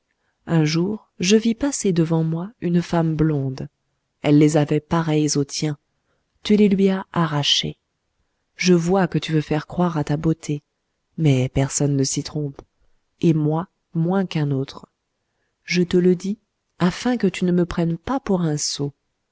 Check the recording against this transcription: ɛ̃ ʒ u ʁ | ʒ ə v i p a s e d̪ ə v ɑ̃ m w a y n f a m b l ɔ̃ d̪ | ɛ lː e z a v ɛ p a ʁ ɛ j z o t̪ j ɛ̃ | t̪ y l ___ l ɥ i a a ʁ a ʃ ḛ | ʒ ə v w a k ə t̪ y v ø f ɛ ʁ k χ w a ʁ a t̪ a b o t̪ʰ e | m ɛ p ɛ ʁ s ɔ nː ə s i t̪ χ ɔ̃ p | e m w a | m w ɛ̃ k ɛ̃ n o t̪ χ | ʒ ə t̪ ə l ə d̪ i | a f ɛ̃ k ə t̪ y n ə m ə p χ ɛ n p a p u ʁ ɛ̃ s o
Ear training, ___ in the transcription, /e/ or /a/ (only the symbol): e